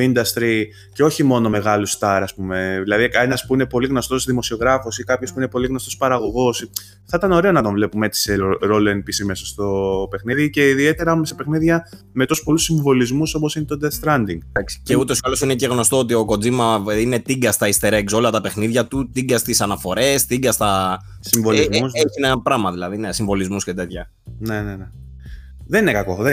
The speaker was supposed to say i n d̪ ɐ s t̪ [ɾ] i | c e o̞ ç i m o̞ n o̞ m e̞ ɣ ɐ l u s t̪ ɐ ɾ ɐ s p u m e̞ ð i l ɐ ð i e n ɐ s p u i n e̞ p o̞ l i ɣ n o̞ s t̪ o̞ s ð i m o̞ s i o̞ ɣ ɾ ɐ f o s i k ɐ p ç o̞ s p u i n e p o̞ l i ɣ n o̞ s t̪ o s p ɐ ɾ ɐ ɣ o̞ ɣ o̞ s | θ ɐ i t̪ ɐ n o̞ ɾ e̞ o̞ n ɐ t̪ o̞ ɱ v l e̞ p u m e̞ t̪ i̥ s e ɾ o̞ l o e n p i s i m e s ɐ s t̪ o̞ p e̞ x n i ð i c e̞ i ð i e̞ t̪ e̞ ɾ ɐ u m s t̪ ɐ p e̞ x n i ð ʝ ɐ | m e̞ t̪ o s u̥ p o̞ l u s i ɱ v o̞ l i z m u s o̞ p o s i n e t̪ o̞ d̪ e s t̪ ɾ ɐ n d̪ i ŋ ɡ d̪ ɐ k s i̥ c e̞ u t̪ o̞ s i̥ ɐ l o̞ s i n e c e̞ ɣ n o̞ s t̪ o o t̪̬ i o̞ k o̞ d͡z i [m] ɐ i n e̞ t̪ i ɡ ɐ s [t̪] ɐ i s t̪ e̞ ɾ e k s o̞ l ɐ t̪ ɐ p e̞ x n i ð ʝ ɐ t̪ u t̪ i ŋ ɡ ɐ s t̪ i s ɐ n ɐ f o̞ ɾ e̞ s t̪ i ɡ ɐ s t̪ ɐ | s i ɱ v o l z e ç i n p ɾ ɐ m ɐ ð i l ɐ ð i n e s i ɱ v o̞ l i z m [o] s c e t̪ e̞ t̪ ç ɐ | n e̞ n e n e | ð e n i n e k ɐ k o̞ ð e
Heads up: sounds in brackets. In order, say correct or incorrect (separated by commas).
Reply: correct, correct, correct, incorrect